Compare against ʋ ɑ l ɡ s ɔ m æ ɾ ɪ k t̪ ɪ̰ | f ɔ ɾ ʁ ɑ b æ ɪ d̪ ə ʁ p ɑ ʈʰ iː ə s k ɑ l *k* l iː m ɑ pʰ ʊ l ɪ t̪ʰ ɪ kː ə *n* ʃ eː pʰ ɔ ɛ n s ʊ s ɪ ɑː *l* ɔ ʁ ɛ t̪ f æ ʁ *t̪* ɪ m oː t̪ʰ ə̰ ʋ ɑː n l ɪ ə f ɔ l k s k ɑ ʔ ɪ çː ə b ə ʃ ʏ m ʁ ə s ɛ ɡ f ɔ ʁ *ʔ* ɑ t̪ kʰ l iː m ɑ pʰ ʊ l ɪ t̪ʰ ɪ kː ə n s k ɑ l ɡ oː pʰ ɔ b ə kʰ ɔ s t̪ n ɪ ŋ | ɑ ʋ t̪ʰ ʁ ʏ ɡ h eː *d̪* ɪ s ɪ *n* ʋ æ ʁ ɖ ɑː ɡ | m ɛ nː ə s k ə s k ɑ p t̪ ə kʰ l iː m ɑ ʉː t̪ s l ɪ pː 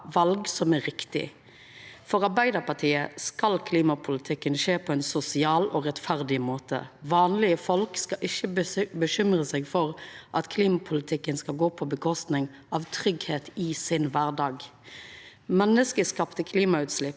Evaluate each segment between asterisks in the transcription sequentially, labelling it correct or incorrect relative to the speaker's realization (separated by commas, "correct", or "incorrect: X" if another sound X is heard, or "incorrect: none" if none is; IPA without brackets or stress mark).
incorrect: kʰ, correct, correct, incorrect: d̪, correct, incorrect: t̪, correct